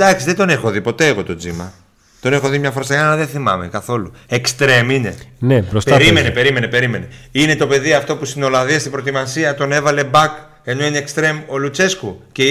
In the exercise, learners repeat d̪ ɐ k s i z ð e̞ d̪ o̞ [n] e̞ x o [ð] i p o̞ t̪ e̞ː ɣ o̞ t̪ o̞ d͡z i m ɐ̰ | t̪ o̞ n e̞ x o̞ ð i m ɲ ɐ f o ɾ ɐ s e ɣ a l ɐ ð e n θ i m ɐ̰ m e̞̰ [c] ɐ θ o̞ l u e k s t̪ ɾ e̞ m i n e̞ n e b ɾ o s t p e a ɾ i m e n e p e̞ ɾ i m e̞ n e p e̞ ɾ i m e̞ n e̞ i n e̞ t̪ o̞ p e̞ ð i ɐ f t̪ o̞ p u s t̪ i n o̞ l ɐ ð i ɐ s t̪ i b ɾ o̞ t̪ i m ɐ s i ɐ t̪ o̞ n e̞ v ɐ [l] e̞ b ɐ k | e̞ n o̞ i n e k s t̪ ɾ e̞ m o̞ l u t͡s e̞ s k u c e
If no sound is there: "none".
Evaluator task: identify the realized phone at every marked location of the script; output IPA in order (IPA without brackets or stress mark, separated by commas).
n, ð, k, l